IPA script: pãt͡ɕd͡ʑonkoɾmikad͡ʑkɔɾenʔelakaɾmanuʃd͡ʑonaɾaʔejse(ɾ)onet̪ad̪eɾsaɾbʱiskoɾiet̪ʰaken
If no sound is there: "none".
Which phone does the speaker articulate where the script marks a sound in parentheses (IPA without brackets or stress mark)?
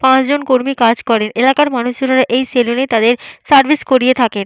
l